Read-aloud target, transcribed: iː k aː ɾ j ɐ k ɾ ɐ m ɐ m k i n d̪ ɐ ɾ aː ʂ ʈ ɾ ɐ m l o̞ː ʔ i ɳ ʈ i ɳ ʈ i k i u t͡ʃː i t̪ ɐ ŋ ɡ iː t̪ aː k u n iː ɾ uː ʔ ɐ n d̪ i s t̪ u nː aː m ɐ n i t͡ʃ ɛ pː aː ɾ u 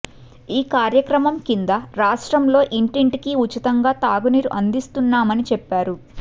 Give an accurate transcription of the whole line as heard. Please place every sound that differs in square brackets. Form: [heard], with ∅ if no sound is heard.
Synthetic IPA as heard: iː k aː ɾ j ɐ k ɾ ɐ m ɐ m k i n d̪ ɐ ɾ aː ʂ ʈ ɾ ɐ m l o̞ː ʔ i ɳ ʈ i ɳ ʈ i k i u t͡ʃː i t̪ ɐ ŋ ɡ [aː] t̪ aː [ɡ] u n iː ɾ [u] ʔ ɐ n d̪ i s t̪ u nː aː m ɐ n i t͡ʃ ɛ pː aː ɾ u

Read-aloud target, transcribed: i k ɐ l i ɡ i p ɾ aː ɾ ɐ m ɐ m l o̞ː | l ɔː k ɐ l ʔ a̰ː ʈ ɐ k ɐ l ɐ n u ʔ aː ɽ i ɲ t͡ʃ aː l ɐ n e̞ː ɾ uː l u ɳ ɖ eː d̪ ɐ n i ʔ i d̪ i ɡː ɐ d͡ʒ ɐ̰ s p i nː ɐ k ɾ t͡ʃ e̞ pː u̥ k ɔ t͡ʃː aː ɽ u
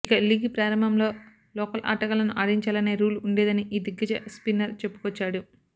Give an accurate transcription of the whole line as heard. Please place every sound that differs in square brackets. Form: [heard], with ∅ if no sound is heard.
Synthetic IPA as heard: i k ɐ l i ɡ i p ɾ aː ɾ ɐ m ɐ m l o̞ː | l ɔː k ɐ l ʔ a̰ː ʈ ɐ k ɐ l ɐ n u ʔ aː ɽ i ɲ t͡ʃ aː l ɐ n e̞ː ɾ uː l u ɳ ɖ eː d̪ ɐ n i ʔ [iː] d̪ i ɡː ɐ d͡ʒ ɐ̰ s p i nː ɐ [∅] ɾ t͡ʃ e̞ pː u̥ k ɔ t͡ʃː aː ɽ u

